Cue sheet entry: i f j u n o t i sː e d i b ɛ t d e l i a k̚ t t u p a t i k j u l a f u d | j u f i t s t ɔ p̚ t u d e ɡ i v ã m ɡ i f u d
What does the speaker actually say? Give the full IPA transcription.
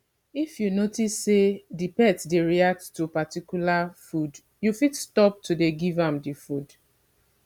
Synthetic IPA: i f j u n o t i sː e d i p ɛ t d e ɹ i a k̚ t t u p a t i k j u l a f u d | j u f i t s t ɔ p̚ t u d e ɡ i v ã m d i f u d